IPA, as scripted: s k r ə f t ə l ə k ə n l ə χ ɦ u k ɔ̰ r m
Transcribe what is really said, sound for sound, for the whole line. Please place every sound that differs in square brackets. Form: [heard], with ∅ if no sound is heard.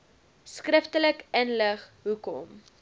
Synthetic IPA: s k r ə f t ə l ə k ə n l ə χ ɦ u k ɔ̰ [∅] m